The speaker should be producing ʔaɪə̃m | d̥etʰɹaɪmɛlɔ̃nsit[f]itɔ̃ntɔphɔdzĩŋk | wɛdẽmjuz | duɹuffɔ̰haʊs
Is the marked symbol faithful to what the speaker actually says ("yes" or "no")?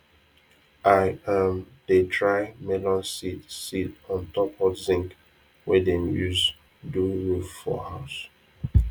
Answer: no